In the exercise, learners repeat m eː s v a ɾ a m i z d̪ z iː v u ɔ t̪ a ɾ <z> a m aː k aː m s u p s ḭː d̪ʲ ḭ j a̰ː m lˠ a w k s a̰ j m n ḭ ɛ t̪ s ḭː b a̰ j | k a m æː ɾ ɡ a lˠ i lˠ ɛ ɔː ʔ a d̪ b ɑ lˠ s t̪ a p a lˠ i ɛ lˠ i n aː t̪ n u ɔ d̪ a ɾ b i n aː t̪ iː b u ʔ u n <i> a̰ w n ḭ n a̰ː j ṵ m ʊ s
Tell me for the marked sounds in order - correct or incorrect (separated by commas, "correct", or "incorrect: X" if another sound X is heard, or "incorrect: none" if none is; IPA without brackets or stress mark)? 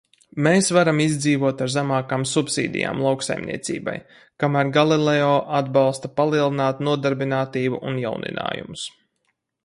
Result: correct, incorrect: j